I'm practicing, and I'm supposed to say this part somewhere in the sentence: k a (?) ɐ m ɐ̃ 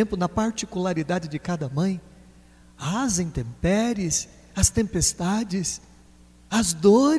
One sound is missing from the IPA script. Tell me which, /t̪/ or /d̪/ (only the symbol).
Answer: d̪